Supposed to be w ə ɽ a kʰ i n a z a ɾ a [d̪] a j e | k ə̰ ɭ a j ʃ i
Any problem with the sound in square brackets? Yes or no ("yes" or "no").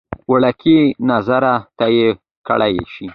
yes